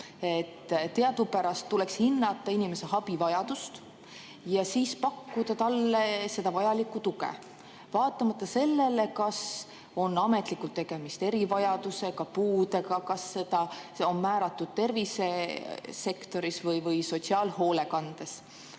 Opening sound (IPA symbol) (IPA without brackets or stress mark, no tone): e